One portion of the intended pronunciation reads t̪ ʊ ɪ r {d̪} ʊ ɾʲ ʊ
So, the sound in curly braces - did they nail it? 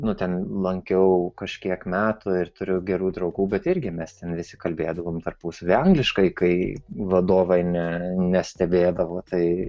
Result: no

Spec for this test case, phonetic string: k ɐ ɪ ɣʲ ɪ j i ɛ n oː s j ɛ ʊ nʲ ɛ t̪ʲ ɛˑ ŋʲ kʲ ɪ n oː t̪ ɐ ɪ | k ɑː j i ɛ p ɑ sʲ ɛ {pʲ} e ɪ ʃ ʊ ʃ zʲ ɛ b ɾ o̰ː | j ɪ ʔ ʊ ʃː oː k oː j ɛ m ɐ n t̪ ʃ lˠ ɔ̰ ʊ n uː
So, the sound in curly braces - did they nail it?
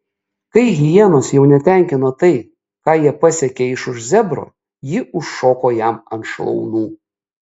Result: no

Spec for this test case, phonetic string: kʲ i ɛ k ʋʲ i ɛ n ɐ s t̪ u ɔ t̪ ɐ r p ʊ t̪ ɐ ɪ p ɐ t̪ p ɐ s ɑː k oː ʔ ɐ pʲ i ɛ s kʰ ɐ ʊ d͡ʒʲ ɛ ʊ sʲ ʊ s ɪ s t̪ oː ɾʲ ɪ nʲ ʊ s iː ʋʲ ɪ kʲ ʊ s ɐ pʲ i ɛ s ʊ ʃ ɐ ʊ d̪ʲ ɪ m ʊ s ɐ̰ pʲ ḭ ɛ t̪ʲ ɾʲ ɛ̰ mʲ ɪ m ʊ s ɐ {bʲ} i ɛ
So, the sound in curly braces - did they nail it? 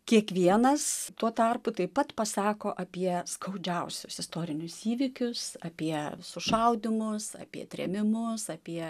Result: no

